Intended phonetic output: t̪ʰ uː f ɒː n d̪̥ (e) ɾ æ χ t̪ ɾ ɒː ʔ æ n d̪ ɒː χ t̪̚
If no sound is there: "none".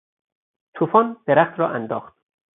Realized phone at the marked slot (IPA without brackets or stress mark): e